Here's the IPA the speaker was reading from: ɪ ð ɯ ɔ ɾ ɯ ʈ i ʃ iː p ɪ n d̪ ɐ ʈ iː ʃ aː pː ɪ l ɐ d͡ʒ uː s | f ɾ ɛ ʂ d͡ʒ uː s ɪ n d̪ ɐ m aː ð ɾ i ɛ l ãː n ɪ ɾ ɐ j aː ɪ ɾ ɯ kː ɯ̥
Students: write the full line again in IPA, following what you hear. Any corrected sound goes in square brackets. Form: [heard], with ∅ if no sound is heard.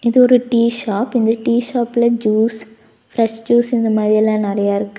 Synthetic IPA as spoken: ɪ ð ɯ ɔ ɾ ɯ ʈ [iː] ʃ [aː] p ɪ n d̪ ɐ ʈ iː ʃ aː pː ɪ l ɐ d͡ʒ uː s | f ɾ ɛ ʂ d͡ʒ uː s ɪ n d̪ ɐ m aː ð ɾ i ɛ l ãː n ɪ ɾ ɐ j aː ɪ ɾ ɯ kː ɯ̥

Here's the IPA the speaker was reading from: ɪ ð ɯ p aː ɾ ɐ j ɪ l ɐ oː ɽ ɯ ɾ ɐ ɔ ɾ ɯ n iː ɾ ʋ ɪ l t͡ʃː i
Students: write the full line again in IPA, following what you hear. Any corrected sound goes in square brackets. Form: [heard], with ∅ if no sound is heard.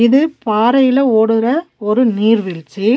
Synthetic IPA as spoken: ɪ ð ɯ p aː ɾ ɐ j ɪ l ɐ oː ɽ ɯ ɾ ɐ ɔ ɾ ɯ n iː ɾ ʋ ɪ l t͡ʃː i

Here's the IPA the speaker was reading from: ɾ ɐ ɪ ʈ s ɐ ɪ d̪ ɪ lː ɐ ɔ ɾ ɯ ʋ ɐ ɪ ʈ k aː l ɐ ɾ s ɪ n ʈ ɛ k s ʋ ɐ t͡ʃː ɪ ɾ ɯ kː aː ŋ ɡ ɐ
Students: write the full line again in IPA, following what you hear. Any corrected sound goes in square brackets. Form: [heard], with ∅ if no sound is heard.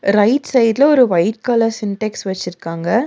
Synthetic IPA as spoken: ɾ ɐ ɪ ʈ s ɐ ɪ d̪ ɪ [l] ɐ ɔ ɾ ɯ ʋ ɐ ɪ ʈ k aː l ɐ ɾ s ɪ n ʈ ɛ k s ʋ ɐ t͡ʃː ɪ ɾ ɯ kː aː ŋ ɡ ɐ

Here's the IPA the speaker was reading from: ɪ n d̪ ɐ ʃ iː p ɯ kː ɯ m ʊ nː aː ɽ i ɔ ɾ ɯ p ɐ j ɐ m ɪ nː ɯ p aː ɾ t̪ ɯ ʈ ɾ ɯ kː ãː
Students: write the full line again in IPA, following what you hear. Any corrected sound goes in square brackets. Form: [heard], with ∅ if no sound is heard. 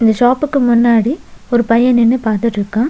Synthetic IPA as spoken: ɪ n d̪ ɐ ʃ [aː] p ɯ kː ɯ m ʊ nː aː ɽ i ɔ ɾ ɯ p ɐ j ɐ [n] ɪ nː ɯ p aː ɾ t̪ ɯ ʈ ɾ ɯ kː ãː

